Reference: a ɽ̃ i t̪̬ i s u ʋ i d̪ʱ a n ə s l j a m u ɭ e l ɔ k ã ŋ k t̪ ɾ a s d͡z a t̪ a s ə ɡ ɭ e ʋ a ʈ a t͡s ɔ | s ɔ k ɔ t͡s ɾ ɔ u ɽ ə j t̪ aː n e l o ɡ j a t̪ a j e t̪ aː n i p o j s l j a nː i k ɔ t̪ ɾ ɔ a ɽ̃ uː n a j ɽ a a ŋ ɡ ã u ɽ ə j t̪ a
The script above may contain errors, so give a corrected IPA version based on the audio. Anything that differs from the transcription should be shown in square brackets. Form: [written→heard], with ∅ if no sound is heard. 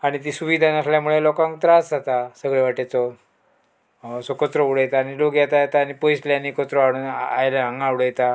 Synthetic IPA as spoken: a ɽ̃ i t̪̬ i s u ʋ i d̪ʱ a n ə s l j a m u ɭ e l ɔ k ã ŋ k t̪ ɾ a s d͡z a t̪ a s ə ɡ ɭ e ʋ a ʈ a t͡s ɔ | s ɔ k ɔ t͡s ɾ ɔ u ɽ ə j t̪ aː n [e→i] l o ɡ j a t̪ a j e t̪ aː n i p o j s l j a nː i k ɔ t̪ ɾ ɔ a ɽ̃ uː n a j [ɽ→l] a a ŋ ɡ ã u ɽ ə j t̪ a